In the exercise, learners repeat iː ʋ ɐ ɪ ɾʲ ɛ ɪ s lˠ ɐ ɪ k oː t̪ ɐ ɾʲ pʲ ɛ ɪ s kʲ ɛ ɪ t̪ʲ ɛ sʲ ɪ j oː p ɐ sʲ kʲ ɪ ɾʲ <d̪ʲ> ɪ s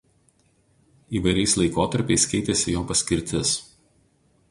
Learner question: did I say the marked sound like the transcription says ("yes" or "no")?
no